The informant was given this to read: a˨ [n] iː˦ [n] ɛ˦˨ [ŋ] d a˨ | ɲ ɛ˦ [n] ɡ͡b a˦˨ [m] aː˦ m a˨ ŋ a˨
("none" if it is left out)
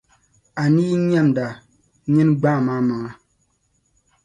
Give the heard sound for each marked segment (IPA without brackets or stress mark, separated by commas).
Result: n, ɲ, m, n, m